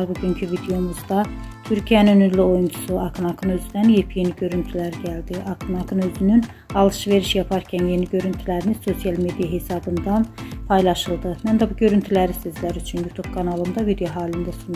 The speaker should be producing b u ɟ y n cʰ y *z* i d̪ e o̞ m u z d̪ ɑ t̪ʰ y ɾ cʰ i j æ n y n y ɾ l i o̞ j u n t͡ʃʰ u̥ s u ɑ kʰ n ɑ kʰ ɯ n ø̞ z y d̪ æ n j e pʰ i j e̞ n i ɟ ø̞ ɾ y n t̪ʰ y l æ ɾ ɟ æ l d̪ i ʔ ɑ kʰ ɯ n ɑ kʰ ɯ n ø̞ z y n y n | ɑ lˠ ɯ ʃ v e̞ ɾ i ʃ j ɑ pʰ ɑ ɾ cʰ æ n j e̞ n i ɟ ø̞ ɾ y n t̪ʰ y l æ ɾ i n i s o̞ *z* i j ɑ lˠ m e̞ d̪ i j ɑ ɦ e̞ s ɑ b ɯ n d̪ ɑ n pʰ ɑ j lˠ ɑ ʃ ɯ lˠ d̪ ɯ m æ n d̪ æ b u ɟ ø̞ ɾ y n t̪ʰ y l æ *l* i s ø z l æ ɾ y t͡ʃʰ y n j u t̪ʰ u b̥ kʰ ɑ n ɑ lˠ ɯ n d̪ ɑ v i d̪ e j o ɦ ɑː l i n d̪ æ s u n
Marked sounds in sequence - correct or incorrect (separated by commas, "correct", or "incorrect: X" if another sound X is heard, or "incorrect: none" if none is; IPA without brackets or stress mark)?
incorrect: v, incorrect: s, incorrect: ɾ